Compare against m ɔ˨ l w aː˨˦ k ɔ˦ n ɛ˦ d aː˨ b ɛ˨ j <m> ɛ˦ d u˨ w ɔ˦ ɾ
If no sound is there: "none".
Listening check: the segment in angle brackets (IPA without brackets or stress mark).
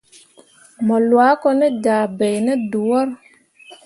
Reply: n